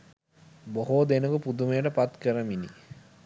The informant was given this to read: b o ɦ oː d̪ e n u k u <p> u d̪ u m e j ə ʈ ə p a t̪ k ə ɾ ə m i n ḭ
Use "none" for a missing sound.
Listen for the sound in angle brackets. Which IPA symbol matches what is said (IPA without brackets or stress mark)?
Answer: p